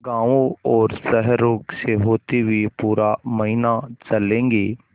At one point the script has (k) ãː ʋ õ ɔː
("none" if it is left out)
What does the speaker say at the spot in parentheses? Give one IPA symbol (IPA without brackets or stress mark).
ɡ